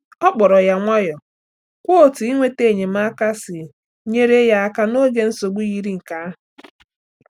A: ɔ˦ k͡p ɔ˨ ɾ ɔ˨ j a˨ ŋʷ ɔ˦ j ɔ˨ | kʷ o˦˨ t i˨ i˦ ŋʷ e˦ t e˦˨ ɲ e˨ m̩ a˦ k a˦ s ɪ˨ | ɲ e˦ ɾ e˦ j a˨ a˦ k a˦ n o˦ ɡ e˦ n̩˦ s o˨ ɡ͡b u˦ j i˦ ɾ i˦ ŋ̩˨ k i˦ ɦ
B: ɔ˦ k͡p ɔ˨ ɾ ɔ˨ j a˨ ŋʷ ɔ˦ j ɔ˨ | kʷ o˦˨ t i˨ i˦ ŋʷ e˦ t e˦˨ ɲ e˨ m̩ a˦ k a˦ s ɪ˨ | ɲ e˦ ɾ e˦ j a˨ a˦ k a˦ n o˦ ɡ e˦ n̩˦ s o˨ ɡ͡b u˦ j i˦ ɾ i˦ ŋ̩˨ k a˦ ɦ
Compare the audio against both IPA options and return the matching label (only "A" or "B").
B